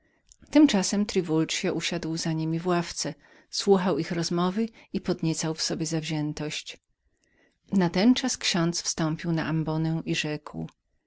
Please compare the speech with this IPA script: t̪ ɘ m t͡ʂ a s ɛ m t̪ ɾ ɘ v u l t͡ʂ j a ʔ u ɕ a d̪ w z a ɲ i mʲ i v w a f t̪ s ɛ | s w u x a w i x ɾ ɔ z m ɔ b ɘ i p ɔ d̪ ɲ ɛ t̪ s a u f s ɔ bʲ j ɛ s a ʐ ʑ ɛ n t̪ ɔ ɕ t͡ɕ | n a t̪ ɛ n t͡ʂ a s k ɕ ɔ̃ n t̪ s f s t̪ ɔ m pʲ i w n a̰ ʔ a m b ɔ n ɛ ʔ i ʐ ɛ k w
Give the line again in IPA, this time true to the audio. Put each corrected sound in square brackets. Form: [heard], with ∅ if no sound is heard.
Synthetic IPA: t̪ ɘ m t͡ʂ a s ɛ m t̪ ɾ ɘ v u l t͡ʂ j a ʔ u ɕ a d̪ w z a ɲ i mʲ i v w a f t̪ s ɛ | s w u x a w i x ɾ ɔ z m ɔ [v] ɘ i p ɔ d̪ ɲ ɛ t̪ s a [w] f s ɔ bʲ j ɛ [z] a [v] ʑ ɛ n t̪ ɔ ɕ t͡ɕ | n a t̪ ɛ n t͡ʂ a s k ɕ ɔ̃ n t̪ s f s t̪ ɔ m pʲ i w n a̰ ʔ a m b ɔ n ɛ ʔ i ʐ ɛ k w